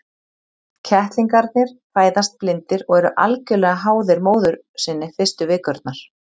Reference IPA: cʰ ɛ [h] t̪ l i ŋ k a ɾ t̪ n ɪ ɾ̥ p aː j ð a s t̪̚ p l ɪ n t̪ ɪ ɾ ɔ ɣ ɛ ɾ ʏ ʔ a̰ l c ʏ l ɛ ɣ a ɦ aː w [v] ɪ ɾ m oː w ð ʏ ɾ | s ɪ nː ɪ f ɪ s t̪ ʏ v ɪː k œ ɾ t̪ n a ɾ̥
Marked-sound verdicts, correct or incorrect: correct, incorrect: ð

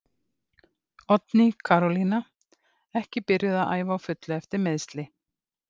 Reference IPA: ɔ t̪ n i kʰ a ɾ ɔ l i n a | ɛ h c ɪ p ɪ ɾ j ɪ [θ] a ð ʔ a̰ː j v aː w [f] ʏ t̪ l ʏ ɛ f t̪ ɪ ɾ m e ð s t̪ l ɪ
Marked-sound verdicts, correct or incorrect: incorrect: ð, correct

